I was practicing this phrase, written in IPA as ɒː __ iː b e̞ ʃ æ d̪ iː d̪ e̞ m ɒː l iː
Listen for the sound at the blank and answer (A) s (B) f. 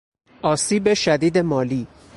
A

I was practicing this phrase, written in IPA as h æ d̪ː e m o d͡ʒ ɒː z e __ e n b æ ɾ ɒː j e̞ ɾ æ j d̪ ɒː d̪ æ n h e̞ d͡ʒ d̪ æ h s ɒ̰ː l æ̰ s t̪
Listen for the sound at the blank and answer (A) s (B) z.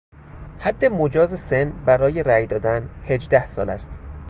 A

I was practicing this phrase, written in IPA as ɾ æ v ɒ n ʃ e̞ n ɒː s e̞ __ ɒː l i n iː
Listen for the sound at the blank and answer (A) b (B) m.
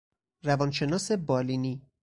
A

